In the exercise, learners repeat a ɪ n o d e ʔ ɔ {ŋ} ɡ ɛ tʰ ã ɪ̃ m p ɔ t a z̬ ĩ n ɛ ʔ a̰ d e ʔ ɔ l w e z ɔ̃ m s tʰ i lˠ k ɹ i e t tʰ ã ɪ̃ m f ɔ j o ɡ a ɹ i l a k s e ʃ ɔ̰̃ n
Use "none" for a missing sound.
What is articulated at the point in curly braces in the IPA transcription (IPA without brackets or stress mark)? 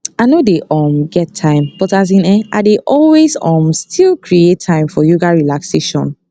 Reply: m